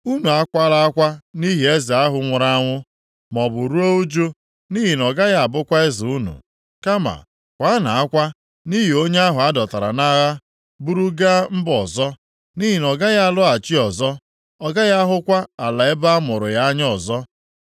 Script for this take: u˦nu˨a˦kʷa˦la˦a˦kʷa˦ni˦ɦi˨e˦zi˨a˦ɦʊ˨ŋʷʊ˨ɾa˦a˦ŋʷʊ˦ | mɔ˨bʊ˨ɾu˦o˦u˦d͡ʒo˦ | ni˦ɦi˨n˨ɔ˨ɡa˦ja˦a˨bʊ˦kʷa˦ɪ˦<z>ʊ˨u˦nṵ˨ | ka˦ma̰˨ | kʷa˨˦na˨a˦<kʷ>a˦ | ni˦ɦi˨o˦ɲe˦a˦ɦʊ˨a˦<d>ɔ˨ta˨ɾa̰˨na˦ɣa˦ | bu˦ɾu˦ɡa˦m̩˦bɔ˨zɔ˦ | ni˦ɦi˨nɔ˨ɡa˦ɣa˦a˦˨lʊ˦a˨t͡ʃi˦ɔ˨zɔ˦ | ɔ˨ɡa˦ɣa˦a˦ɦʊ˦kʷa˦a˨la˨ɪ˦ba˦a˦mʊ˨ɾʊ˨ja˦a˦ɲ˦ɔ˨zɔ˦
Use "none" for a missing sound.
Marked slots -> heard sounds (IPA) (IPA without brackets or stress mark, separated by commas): z, kʷ, d